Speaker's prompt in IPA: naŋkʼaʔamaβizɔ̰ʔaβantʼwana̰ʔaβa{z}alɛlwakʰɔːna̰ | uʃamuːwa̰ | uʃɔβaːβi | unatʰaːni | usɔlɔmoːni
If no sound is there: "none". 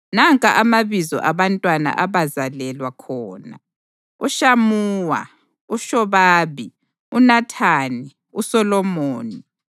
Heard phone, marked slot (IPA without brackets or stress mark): z